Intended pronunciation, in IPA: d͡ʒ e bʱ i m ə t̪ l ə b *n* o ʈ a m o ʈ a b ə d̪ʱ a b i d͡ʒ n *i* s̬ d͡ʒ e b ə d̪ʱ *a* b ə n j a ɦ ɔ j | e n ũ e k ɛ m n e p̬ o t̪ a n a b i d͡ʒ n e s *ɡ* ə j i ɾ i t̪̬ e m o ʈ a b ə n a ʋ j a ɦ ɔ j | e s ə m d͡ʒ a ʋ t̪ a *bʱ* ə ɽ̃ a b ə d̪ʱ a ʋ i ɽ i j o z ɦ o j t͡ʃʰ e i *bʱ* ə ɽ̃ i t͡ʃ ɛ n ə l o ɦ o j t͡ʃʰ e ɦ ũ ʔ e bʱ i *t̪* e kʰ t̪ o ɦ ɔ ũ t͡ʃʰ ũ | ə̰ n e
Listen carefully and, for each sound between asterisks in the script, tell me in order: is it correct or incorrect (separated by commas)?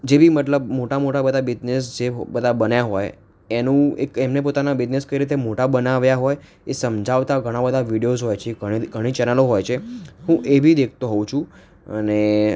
incorrect, incorrect, correct, incorrect, incorrect, incorrect, incorrect